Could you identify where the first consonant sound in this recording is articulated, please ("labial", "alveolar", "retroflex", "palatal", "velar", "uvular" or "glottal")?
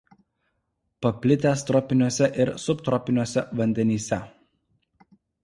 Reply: labial